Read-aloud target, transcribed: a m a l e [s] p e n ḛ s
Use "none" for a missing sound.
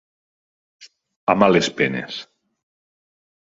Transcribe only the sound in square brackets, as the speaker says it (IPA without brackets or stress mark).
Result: s